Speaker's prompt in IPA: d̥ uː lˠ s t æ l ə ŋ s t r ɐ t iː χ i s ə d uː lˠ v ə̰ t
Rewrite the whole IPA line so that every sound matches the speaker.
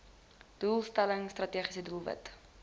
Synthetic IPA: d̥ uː lˠ s t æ l ə ŋ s t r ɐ t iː χ i s ə d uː lˠ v ə̰ t